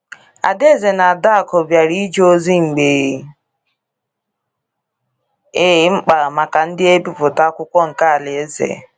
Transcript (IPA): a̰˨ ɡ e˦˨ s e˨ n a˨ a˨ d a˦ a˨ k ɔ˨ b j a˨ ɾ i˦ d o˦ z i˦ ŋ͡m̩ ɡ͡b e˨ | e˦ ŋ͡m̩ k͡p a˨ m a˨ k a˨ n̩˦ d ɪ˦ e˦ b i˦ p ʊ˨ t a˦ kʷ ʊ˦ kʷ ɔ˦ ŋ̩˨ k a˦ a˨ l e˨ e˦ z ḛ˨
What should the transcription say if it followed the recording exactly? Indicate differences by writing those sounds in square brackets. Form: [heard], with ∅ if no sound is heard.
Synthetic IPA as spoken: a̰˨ [d] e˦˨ [z] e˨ n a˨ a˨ d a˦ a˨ k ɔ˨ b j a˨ ɾ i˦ [d͡ʒ] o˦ z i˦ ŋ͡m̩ ɡ͡b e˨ | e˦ ŋ͡m̩ k͡p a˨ m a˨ k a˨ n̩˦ d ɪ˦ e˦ b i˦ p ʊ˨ t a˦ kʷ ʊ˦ kʷ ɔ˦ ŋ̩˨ k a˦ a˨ l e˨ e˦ z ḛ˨